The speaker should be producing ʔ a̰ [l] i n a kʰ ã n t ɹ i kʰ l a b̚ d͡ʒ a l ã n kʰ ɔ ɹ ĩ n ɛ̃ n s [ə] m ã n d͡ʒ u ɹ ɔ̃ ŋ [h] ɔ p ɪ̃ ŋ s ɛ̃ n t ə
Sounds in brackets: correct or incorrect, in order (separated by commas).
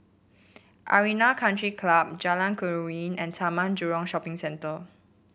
incorrect, incorrect, incorrect